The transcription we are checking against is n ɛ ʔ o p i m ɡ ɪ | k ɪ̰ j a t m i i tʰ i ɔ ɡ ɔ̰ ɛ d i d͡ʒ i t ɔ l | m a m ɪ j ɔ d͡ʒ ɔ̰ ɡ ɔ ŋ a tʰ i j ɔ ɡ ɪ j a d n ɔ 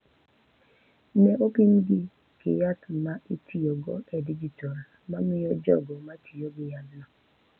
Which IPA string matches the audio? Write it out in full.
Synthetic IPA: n ɛ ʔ o p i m ɡ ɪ | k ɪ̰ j a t m a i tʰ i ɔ ɡ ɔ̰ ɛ d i d͡ʒ i t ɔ l | m a m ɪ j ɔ d͡ʒ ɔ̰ ɡ ɔ m a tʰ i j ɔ ɡ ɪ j a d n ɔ